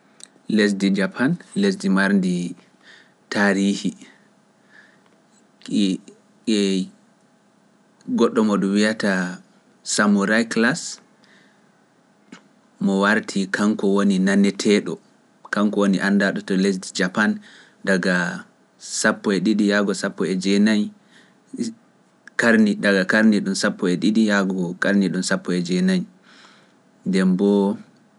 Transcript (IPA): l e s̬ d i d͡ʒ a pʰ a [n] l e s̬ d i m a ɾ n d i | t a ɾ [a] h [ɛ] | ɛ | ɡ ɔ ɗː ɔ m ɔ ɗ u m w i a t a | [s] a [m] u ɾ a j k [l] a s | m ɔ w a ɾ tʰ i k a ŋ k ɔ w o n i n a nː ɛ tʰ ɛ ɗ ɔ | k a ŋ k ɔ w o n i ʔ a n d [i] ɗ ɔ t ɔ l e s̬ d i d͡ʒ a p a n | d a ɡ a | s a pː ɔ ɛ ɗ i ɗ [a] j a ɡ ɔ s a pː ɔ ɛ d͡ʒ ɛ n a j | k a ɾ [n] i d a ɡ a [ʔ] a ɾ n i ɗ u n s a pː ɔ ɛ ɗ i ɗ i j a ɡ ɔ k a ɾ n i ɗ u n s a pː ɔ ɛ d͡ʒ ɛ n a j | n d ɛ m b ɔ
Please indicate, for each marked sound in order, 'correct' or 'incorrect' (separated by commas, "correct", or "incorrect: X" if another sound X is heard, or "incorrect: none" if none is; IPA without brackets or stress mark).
correct, incorrect: i, incorrect: i, correct, correct, correct, incorrect: a, incorrect: i, correct, incorrect: k